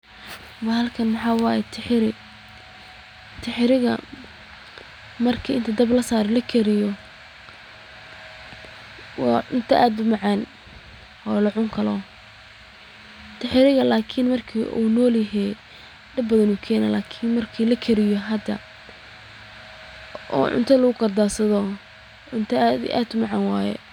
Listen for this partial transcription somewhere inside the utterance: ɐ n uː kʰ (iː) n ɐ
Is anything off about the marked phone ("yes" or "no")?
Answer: yes